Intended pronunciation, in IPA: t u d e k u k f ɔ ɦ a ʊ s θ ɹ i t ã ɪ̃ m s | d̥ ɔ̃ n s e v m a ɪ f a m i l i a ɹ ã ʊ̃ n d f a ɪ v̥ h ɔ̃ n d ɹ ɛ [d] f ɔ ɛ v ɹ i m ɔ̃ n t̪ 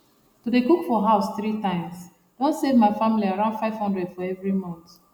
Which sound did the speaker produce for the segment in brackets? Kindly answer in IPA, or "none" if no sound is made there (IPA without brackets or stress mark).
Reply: d